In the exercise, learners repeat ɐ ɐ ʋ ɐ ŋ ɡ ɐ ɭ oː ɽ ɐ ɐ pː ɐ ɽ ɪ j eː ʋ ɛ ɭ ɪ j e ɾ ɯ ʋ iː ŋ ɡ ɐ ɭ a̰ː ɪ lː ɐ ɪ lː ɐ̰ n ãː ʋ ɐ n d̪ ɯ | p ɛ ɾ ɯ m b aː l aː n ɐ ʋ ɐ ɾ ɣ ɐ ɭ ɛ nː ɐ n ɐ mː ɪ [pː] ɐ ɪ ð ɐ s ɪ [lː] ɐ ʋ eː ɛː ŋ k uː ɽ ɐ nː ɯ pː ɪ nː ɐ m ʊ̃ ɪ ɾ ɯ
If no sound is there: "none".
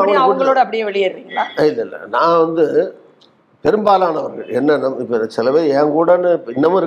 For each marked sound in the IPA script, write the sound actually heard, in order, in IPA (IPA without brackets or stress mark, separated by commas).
pː, l